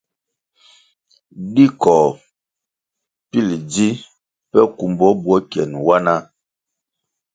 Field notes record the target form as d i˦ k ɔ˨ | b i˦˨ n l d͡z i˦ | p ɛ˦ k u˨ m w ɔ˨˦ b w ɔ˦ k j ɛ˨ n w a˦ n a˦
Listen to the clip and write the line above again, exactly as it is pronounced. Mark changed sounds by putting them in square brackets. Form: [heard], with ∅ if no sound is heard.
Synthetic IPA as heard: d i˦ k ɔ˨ | [p] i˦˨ [∅] l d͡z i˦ | p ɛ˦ k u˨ m [b] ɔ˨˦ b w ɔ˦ k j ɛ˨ n w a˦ n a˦